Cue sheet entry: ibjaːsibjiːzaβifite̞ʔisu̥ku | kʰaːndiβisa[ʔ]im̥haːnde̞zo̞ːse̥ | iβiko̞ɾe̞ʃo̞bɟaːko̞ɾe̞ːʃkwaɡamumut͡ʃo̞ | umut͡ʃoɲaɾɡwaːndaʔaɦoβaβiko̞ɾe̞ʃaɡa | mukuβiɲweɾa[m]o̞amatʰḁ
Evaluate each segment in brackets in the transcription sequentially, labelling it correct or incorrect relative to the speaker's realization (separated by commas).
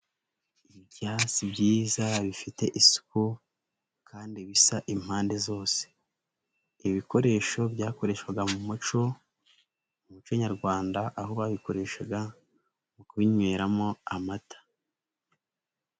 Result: correct, correct